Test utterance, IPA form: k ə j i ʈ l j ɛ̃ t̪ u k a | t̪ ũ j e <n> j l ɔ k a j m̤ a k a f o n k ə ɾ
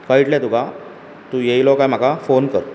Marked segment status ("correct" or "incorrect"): incorrect